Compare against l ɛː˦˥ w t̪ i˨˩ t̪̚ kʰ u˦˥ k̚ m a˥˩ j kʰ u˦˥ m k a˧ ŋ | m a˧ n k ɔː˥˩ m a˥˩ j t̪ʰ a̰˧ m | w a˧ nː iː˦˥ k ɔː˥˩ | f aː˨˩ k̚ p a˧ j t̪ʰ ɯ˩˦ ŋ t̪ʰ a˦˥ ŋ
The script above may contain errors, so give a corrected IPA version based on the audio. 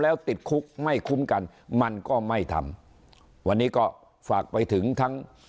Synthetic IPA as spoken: l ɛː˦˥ w t̪ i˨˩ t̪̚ kʰ u˦˥ k̚ m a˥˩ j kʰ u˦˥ m k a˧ n | m a˧ n k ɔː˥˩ m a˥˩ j t̪ʰ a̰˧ m | w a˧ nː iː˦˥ k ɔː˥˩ | f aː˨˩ k̚ p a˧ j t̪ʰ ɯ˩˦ ŋ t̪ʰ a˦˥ ŋ